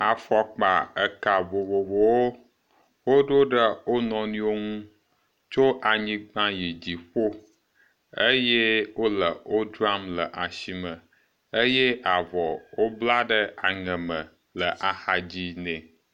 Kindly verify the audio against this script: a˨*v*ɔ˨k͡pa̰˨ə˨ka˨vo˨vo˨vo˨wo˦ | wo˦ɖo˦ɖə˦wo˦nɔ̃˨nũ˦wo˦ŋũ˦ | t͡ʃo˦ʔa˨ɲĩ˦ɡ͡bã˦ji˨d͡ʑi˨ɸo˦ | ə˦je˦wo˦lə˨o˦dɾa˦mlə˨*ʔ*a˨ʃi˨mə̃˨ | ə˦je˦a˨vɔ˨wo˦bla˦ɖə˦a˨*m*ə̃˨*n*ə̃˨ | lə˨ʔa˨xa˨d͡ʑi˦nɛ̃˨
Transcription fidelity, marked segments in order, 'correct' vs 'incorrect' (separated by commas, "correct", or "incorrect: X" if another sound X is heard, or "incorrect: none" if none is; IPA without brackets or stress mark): incorrect: f, correct, incorrect: ŋ, incorrect: m